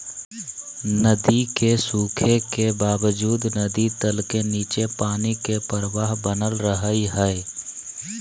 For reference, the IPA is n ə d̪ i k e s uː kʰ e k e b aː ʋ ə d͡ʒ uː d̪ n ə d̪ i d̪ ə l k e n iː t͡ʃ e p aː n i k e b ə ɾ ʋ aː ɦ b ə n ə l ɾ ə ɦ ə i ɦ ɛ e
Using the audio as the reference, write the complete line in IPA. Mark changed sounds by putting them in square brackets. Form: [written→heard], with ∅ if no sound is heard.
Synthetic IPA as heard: n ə d̪ i k e s uː kʰ e k e b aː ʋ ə d͡ʒ uː d̪ n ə d̪ i [d̪→t̪] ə l k e n iː t͡ʃ e p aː n i k e [b→p] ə ɾ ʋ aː ɦ b ə n ə l ɾ ə ɦ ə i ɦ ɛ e